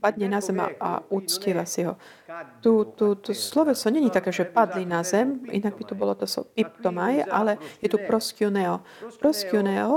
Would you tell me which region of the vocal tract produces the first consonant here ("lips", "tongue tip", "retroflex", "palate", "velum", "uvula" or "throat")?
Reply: lips